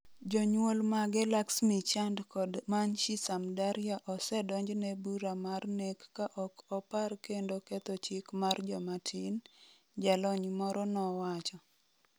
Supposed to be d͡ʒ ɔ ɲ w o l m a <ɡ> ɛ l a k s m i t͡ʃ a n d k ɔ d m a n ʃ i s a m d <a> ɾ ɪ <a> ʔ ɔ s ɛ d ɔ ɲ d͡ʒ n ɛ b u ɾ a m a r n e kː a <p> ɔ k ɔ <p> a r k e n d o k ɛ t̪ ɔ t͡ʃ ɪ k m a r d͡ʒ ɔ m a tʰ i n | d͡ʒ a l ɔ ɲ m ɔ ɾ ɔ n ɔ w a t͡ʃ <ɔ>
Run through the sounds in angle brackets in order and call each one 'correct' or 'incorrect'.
correct, correct, correct, incorrect: ʔ, correct, correct

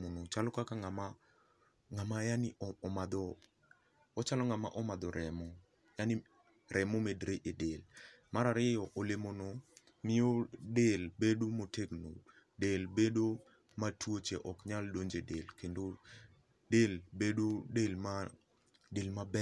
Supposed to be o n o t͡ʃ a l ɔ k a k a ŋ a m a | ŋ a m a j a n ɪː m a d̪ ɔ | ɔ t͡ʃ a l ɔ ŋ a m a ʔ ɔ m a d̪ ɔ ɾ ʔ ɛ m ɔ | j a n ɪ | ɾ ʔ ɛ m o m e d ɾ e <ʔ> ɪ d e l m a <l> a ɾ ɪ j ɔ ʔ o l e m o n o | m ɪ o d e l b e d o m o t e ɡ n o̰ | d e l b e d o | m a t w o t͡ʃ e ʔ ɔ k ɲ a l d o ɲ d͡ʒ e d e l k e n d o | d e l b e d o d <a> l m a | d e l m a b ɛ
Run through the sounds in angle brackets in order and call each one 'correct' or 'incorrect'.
correct, incorrect: ɾ, incorrect: e

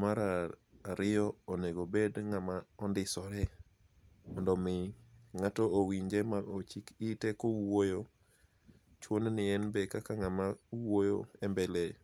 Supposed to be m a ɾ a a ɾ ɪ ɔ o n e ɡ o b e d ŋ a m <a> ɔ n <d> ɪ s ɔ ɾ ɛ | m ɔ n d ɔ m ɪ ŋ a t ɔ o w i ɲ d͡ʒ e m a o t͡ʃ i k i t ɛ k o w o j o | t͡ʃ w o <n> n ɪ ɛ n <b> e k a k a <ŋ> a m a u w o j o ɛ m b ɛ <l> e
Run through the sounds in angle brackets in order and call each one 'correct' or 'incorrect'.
correct, correct, correct, correct, correct, correct

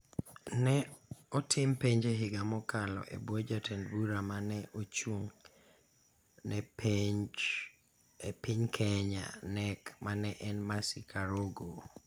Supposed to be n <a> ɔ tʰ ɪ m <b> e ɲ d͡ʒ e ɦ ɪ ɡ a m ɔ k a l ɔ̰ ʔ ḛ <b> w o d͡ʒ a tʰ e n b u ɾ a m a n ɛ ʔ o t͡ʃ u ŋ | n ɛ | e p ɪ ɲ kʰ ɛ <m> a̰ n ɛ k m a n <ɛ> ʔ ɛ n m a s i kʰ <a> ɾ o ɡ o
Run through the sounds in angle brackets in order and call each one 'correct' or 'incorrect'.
incorrect: ɛ, incorrect: p, correct, incorrect: ɲ, correct, correct

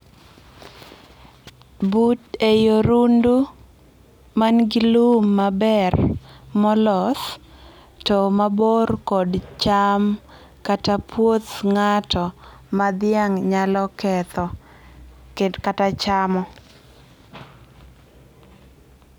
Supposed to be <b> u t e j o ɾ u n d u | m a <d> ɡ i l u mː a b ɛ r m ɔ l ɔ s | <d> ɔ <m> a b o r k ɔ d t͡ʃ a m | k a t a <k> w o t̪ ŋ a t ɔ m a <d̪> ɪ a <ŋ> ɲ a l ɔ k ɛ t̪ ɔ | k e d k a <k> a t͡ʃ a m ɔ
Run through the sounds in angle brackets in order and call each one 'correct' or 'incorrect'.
correct, incorrect: n, incorrect: t, correct, incorrect: p, correct, correct, incorrect: t

